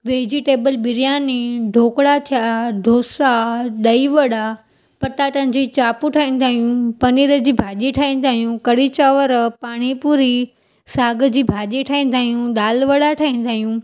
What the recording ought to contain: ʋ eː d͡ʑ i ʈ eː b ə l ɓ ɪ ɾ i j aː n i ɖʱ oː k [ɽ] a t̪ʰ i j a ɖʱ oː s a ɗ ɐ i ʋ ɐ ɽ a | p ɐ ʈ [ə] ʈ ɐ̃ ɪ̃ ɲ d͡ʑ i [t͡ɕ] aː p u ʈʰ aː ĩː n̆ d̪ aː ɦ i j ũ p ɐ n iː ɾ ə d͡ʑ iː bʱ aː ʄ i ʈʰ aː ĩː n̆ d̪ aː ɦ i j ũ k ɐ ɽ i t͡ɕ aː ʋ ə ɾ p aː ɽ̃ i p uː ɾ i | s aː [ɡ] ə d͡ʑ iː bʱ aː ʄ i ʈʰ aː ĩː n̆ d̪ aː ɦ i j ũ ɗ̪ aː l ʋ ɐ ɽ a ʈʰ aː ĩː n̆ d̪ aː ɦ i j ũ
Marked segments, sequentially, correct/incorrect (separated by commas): correct, incorrect, correct, correct